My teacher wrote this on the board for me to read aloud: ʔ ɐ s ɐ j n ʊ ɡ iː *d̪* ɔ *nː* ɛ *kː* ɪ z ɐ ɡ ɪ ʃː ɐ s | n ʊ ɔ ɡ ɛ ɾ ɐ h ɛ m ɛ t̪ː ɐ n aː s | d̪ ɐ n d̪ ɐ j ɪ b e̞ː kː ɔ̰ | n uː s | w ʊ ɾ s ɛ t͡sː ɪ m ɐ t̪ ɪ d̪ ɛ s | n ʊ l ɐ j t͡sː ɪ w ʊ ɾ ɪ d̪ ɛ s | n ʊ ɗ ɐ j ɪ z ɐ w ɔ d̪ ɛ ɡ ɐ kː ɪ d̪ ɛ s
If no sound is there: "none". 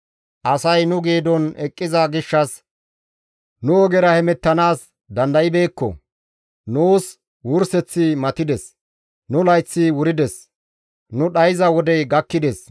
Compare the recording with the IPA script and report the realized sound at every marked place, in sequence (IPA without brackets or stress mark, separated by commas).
d̪, n, kʼː